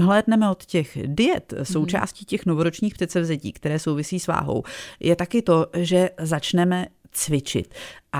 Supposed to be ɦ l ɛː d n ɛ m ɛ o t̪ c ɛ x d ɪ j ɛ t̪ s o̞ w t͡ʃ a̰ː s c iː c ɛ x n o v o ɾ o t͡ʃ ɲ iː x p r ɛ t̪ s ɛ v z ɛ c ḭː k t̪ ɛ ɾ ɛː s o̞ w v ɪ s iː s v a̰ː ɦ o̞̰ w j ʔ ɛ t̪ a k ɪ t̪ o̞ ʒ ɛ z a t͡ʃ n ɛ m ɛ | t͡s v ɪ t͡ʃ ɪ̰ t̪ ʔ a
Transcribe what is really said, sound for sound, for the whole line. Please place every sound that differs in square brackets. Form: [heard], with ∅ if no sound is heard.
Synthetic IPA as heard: ɦ l ɛː d n ɛ m ɛ o t̪ c ɛ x d ɪ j ɛ t̪ s o̞ w t͡ʃ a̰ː s c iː c ɛ x n o v o ɾ o t͡ʃ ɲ iː x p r ɛ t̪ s ɛ v z ɛ c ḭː k t̪ ɛ ɾ ɛː s o̞ w v ɪ s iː s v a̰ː ɦ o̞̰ w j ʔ ɛ t̪ a k ɪ t̪ o̞ ʒ ɛ z a t͡ʃ n ɛ m ɛ | t͡s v ɪ t͡ʃ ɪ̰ t̪ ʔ a